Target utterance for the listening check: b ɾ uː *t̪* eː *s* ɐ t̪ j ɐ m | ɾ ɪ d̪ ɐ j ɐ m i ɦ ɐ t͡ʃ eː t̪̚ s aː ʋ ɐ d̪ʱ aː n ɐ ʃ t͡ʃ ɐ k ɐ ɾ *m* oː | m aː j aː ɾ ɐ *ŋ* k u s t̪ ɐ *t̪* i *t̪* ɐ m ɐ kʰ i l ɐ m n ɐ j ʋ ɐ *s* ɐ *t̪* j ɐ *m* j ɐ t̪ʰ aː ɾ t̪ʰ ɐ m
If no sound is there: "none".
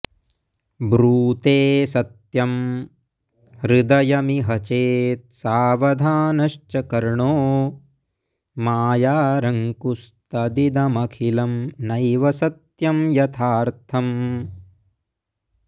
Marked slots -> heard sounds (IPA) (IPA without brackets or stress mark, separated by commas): t̪, s, ɳ, ŋ, d̪, d̪, s, t̪, m